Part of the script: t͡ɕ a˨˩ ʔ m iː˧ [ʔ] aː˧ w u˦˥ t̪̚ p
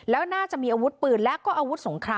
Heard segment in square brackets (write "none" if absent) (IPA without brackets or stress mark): ʔ